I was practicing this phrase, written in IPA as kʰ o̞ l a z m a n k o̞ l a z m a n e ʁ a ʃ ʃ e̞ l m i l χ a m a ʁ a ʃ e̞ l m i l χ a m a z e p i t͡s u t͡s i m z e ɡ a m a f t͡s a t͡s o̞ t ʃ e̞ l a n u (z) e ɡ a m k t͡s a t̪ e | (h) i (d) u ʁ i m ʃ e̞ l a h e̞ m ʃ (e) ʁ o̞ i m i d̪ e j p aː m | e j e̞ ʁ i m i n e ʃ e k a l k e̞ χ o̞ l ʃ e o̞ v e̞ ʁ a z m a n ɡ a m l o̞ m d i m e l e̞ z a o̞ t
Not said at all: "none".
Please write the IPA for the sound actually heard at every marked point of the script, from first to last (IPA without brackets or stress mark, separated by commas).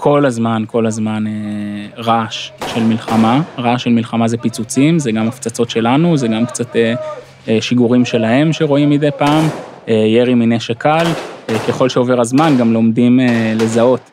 z, ʃ, ɡ, e